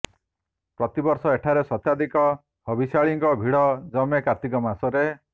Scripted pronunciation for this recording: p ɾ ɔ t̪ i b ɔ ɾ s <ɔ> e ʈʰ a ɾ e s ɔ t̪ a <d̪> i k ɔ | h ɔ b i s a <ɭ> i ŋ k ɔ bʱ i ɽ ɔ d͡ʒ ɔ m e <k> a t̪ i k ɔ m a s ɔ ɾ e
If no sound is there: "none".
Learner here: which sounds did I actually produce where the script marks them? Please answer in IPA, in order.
ɔ, d̪, ɭ, k

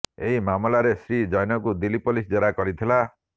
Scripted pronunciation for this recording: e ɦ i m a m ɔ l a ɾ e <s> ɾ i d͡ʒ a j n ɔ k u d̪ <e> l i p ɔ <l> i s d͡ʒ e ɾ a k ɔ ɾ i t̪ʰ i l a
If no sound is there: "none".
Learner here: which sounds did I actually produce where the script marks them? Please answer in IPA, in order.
s, i, l

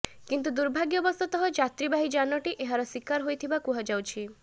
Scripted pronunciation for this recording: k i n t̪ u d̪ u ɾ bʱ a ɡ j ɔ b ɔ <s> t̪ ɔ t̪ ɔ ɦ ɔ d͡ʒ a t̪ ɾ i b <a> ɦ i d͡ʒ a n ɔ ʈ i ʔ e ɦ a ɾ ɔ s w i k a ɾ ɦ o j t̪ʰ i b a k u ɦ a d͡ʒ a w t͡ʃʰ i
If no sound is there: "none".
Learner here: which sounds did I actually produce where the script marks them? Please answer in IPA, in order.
s, a

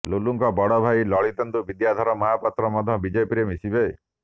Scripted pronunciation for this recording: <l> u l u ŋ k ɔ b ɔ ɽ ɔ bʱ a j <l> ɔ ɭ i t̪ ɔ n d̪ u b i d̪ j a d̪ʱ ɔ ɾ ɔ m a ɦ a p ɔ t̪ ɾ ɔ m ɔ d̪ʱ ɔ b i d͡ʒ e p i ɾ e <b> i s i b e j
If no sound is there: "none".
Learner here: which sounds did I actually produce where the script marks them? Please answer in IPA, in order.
l, l, m

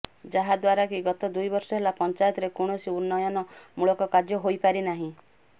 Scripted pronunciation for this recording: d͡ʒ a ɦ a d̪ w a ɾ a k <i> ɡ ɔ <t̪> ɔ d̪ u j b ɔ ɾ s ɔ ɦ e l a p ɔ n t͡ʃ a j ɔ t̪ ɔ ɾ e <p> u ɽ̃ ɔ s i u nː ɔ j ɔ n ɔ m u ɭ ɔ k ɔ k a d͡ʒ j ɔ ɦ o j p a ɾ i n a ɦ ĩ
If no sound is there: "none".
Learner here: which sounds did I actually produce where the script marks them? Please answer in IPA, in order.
i, t̪, k

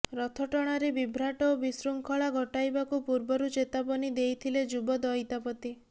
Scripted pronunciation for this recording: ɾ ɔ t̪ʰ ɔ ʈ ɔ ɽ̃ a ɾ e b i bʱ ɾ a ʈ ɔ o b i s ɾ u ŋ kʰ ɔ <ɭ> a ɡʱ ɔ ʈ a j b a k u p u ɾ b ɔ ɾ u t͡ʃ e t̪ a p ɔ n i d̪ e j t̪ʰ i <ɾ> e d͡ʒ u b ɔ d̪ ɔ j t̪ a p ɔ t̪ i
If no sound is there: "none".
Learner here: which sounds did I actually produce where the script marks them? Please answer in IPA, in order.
ɭ, l

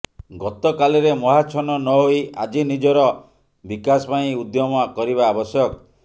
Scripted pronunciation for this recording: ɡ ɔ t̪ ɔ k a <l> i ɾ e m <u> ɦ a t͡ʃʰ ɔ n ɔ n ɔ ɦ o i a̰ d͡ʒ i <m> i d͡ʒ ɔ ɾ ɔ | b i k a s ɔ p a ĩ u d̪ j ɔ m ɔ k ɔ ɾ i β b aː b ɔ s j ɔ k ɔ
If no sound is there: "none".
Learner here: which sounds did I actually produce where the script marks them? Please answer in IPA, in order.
l, ɔ, n

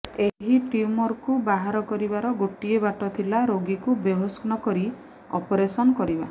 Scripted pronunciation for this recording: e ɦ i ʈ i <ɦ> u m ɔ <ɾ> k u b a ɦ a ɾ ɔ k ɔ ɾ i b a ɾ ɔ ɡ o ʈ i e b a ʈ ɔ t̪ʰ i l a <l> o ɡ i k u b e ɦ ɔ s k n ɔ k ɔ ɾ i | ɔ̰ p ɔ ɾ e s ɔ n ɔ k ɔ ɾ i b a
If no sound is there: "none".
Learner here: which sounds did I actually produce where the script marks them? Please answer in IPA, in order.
none, ɾ, ɾ

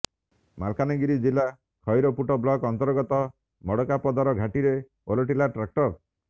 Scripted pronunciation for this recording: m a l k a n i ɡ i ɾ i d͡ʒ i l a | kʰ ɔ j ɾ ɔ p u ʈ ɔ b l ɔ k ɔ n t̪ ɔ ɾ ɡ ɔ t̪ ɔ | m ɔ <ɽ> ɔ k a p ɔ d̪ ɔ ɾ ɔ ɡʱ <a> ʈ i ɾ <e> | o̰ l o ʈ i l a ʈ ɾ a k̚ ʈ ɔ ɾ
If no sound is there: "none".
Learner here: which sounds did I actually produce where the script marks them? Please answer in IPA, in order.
ɽ, a, e

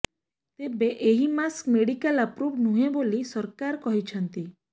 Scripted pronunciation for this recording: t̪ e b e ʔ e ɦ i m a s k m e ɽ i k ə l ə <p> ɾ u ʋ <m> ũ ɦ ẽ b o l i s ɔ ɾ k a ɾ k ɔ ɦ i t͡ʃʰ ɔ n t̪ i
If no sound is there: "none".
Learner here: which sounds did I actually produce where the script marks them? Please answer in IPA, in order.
p, n

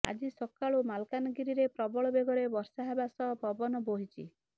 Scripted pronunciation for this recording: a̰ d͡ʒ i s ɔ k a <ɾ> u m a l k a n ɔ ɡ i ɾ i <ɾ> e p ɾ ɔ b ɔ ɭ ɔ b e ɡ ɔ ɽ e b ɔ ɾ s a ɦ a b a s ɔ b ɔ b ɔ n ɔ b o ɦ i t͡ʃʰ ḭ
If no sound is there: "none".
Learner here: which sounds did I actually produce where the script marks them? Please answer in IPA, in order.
ɭ, ɾ

